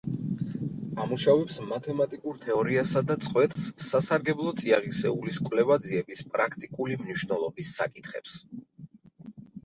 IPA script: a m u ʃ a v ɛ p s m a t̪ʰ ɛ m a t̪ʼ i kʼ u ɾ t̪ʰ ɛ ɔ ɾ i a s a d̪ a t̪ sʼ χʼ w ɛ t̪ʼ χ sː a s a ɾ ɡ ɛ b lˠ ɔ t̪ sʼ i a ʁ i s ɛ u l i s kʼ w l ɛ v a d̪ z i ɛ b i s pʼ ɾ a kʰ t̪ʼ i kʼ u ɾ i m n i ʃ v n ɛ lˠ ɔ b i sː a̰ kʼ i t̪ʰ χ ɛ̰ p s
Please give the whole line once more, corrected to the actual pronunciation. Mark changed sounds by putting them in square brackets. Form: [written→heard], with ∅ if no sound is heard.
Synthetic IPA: a m u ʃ a v ɛ p s m a t̪ʰ ɛ m a t̪ʼ i kʼ u ɾ t̪ʰ ɛ ɔ ɾ i a s a d̪ a t̪ sʼ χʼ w ɛ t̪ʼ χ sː a s a ɾ ɡ ɛ b lˠ ɔ t̪ sʼ i a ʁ i s ɛ u l i s kʼ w l ɛ v a d̪ z i ɛ b i s pʼ ɾ a kʰ t̪ʼ i kʼ u [ɾ→l] i m n i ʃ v n ɛ lˠ ɔ b i sː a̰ kʼ i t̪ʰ χ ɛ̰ p s